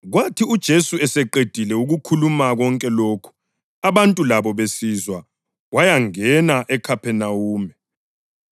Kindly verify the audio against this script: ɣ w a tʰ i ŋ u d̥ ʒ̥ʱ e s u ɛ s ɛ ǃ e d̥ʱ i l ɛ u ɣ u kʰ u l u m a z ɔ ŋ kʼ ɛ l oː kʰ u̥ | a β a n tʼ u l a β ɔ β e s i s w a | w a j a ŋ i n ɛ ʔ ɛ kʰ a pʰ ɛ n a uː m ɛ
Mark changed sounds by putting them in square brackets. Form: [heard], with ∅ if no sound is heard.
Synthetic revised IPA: ɣ w a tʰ i [∅] u d̥ ʒ̥ʱ e s u ɛ s ɛ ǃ e d̥ʱ i l ɛ u ɣ u kʰ u l u m a [ɣ] ɔ ŋ kʼ ɛ l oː kʰ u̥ | a β a n tʼ u l a β ɔ β e s i [z] w a | w a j a ŋ [ɛ] n [a] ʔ ɛ kʰ a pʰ ɛ n a uː m ɛ